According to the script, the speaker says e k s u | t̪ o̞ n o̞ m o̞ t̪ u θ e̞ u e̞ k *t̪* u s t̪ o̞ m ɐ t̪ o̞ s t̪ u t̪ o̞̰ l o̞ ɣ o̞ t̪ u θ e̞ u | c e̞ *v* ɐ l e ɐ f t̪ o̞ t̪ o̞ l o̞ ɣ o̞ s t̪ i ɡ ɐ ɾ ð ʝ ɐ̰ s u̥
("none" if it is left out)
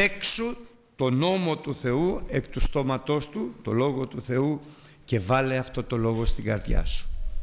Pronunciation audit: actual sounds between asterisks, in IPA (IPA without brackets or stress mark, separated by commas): t̪, v